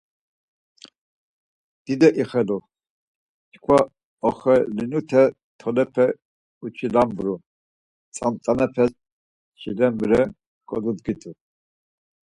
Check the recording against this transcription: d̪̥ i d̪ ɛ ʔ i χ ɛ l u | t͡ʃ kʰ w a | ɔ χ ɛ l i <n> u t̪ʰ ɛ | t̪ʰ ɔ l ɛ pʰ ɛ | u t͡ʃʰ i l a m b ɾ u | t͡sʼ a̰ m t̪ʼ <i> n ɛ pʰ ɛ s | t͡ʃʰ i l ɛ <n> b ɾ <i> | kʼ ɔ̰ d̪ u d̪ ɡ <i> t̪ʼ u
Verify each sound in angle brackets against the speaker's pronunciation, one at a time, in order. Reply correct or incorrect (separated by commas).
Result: correct, incorrect, incorrect, incorrect, correct